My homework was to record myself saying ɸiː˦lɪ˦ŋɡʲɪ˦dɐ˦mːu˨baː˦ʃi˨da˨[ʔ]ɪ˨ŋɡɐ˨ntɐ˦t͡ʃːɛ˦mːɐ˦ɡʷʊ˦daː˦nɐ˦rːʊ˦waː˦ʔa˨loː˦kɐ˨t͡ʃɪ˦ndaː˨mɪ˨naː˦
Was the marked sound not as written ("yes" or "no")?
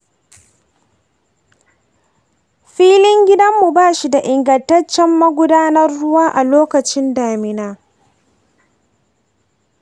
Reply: no